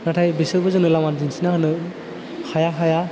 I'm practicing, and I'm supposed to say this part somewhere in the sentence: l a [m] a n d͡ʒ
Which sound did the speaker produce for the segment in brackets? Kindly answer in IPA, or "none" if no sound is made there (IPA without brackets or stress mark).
m